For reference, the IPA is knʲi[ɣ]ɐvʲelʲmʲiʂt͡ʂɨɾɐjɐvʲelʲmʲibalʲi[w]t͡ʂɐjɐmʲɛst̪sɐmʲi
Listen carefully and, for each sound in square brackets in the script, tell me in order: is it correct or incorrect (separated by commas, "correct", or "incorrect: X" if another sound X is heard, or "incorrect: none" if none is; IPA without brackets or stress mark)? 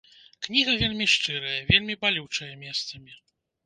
correct, correct